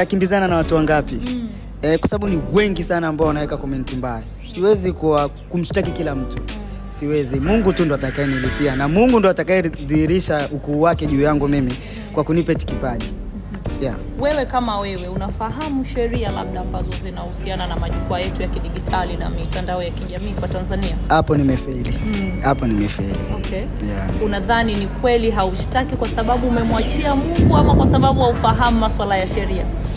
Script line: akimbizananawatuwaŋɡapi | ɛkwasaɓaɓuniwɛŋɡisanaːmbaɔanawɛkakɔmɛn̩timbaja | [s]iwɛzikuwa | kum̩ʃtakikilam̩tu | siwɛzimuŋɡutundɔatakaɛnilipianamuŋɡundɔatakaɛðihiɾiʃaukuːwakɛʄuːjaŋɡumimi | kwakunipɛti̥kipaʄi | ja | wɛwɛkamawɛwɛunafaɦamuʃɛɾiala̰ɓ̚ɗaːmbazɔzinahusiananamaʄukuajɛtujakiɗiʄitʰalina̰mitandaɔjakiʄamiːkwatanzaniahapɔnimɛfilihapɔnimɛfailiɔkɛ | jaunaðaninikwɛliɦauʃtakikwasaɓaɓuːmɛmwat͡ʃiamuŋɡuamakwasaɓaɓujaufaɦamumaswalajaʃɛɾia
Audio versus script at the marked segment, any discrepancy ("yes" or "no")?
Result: no